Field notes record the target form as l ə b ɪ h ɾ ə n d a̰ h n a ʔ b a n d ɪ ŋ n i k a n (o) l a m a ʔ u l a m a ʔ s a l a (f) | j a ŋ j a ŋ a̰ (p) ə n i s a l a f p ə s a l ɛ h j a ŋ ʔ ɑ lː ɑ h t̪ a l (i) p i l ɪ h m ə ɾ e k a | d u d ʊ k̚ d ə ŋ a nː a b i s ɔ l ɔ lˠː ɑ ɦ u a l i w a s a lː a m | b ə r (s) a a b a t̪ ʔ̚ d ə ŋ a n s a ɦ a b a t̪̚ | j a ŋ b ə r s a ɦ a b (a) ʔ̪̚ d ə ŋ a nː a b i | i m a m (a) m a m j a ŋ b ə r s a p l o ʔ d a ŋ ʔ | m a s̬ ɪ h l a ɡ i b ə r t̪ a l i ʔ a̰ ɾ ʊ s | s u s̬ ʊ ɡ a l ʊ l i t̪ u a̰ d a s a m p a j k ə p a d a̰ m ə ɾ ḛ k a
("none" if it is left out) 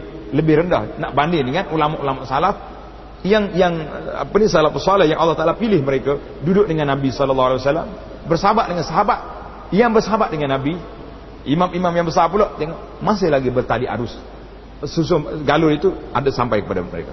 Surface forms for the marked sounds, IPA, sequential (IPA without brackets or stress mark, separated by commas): u, f, p, a, s, a, i